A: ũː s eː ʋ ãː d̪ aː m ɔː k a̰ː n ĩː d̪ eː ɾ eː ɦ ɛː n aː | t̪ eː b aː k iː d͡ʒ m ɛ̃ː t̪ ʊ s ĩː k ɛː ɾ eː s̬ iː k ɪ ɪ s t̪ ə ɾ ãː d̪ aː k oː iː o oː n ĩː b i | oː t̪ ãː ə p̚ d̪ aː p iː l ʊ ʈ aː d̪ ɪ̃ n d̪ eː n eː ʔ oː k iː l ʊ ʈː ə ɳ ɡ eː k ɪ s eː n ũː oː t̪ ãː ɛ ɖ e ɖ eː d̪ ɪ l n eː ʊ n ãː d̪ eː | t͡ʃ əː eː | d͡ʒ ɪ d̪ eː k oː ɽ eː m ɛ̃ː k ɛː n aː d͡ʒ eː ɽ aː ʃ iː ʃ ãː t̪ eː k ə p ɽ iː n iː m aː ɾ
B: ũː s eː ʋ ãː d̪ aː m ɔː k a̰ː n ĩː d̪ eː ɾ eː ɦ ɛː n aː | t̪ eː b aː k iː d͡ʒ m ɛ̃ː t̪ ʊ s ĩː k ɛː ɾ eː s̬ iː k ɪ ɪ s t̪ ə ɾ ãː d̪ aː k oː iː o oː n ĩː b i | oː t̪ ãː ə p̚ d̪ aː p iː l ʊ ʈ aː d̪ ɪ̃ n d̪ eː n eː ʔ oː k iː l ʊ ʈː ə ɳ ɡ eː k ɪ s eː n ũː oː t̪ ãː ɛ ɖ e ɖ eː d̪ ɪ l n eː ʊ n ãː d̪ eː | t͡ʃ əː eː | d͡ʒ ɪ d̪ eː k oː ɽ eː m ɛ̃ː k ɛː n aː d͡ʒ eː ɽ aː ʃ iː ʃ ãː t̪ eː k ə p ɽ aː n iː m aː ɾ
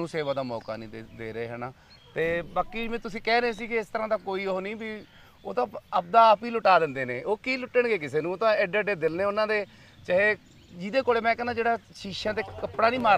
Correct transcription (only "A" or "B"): B